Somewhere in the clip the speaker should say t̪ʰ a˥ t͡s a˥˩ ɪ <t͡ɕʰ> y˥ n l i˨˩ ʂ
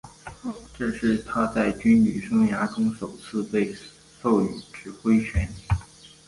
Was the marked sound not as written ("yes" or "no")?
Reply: yes